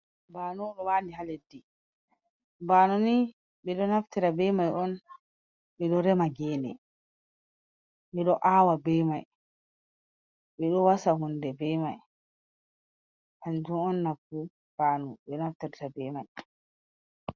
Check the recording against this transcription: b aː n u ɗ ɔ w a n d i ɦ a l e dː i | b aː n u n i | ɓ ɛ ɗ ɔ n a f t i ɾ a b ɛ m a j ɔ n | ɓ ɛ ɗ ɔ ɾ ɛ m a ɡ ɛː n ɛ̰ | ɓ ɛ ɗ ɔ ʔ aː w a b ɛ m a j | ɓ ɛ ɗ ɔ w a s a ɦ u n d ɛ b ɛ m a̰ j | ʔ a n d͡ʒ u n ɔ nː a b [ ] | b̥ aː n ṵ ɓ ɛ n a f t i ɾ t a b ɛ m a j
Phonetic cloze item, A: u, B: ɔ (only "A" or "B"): A